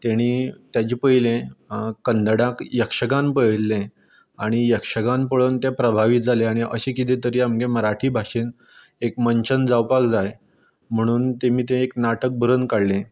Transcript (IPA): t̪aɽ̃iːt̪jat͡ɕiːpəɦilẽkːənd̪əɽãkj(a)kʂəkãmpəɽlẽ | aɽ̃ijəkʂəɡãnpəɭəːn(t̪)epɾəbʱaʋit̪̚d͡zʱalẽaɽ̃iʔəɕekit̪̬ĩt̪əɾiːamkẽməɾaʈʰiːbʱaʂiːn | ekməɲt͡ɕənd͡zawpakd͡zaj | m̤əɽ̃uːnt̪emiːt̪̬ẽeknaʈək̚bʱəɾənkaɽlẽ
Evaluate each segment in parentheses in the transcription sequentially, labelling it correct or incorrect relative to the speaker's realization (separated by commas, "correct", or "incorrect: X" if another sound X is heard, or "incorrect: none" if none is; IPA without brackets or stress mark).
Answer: incorrect: ə, correct